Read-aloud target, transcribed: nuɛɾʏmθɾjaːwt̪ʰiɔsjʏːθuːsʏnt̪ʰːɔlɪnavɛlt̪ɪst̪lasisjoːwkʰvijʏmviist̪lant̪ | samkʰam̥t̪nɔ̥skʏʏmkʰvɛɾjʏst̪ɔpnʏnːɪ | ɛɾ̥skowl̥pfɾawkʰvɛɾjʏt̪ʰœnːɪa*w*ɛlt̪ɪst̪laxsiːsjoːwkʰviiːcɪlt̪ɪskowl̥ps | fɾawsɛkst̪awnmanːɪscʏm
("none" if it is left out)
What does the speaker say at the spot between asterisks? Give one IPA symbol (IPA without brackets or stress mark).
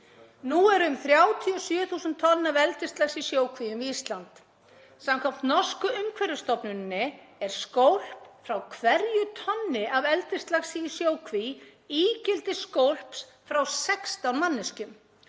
v